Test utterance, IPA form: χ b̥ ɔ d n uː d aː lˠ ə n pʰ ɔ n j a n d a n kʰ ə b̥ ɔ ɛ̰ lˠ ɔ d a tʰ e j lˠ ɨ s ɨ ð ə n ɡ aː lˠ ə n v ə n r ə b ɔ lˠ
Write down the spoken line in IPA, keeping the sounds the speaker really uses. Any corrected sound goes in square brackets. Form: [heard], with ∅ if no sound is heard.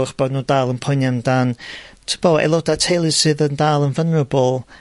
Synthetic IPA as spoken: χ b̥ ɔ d n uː d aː lˠ ə n pʰ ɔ n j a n d a n [tʰ] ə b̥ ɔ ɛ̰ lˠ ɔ d a tʰ e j lˠ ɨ s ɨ ð ə n [d] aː lˠ ə n v ə n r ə b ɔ lˠ